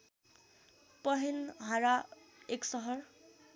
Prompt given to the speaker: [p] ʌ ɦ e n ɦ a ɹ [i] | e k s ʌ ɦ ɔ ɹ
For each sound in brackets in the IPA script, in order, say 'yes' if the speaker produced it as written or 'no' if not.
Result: yes, no

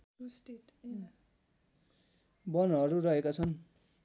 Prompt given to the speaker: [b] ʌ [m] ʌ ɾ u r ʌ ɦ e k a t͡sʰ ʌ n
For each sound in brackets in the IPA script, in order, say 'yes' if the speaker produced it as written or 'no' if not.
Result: yes, no

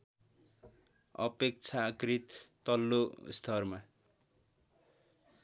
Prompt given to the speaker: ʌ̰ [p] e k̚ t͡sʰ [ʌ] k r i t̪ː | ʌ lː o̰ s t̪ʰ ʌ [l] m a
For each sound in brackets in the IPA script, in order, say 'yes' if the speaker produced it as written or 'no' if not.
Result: yes, no, no

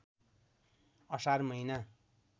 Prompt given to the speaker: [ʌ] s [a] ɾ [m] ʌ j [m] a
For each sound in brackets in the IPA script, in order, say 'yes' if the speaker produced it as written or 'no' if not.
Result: yes, yes, yes, no

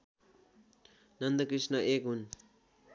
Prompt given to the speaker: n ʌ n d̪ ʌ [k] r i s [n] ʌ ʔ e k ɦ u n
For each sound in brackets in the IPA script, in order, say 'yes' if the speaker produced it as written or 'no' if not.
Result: yes, yes

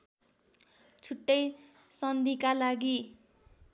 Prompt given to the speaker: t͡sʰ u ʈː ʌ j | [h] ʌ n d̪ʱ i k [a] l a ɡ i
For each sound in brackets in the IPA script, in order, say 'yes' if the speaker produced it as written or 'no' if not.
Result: no, yes

